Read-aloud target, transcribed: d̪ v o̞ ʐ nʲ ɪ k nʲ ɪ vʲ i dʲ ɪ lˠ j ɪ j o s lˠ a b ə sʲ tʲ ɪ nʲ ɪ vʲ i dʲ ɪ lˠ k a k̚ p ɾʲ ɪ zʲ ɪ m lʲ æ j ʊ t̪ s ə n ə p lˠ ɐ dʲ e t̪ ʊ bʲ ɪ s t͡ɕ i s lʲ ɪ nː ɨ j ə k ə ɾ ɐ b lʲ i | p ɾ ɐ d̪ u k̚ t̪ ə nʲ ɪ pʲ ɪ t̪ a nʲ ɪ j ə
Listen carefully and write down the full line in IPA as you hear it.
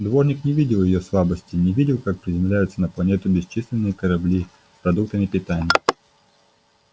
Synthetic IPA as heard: d̪ v o̞ ʐ nʲ ɪ k nʲ ɪ vʲ i dʲ ɪ lˠ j ɪ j o s lˠ a b ə sʲ tʲ ɪ nʲ ɪ vʲ i dʲ ɪ lˠ k a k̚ p ɾʲ ɪ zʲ ɪ m lʲ æ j ʊ t̪ s ə n ə p lˠ ɐ nʲ e t̪ ʊ bʲ ɪ s t͡ɕ i s lʲ ɪ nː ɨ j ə k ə ɾ ɐ b lʲ i | p ɾ ɐ d̪ u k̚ t̪ ə mʲ ɪ pʲ ɪ t̪ a nʲ ɪ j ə

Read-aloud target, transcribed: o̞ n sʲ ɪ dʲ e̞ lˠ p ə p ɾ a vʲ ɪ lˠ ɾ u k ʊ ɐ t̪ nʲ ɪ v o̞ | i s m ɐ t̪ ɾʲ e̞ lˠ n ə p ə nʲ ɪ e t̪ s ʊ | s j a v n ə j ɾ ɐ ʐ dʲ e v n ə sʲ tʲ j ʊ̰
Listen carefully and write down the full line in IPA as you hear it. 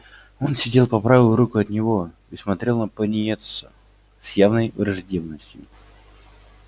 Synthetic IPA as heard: o̞ n sʲ ɪ dʲ e̞ lˠ p ɐ p ɾ a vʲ ɪ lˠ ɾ u k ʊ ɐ t̪ nʲ ɪ v o̞ | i s m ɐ t̪ ɾʲ e̞ lˠ n ə p ə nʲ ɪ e t̪ s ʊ | s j a v n ə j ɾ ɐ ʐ dʲ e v n ə sʲ tʲ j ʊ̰

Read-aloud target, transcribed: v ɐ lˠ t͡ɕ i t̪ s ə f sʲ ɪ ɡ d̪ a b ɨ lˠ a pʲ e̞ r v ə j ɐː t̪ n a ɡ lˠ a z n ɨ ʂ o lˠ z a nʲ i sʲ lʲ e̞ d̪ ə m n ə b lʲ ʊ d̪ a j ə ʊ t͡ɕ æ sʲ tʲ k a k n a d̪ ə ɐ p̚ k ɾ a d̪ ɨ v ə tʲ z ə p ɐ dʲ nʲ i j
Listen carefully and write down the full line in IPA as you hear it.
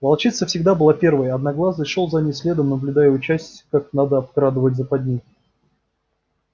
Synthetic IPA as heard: v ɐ lˠ t͡ɕ i t̪ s ə f sʲ ɪ ɡ d̪ a b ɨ lˠ a pʲ e̞ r v ə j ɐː d̪ n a ɡ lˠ a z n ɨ ʂ o lˠ z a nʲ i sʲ lʲ e̞ d̪ ə m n ə b lʲ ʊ d̪ a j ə ʊ t͡ɕ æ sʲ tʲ k a k n a d̪ ə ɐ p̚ k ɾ a d̪ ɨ v ə tʲ z ə p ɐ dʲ nʲ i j

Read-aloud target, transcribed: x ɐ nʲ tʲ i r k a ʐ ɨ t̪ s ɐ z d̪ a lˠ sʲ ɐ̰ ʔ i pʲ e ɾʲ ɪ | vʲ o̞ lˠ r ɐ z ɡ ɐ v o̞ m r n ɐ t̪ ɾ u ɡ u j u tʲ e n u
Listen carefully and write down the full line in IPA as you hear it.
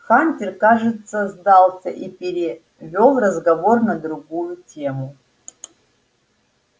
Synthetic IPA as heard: x a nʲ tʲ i r k a ʐ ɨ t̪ s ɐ z d̪ a lˠ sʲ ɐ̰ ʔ i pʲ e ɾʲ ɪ | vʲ o̞ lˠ r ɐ z ɡ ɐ v o̞ r n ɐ d̪ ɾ u ɡ u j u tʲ e m u

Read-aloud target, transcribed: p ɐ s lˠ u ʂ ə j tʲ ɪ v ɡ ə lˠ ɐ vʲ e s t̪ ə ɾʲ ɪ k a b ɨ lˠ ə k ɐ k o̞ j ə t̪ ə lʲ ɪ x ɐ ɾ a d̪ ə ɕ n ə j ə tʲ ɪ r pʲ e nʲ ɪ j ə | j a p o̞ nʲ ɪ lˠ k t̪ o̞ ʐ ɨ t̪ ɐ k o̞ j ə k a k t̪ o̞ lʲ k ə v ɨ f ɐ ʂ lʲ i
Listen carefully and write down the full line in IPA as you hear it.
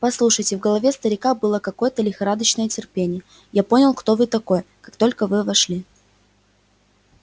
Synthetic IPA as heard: p ɐ s lˠ u ʂ ə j tʲ ɪ v ɡ ə lˠ ɐ vʲ e s t̪ ə ɾʲ ɪ k a b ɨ lˠ ə k ɐ k o̞ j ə t̪ ə lʲ ɪ x ɐ ɾ a d̪ ə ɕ n ə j ə tʲ ɪ r pʲ e nʲ ɪ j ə | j a p o̞ nʲ ɪ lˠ k t̪ o̞ v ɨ t̪ ɐ k o̞ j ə k a k t̪ o̞ lʲ k ə v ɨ v ɐ ʂ lʲ i

